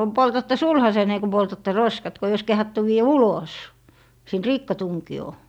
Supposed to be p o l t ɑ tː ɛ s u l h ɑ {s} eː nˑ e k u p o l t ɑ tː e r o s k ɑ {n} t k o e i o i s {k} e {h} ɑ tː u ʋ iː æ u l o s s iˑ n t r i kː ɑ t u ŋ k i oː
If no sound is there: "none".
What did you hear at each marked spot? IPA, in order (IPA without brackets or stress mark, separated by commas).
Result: s, none, k, h